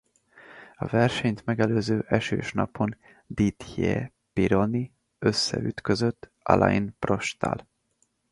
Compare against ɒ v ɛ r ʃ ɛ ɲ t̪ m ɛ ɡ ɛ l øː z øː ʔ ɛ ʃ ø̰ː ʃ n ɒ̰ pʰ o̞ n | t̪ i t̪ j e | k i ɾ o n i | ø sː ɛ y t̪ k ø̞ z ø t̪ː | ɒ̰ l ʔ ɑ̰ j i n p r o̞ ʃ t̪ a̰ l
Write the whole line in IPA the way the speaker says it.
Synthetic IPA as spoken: ɒ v ɛ r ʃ ɛ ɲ t̪ m ɛ ɡ ɛ l øː z øː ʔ ɛ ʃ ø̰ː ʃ n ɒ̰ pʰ o̞ n | d̪ i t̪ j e | p i ɾ o n i | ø sː ɛ y t̪ k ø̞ z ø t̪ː | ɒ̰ l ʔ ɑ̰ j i n p r o̞ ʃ t̪ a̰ l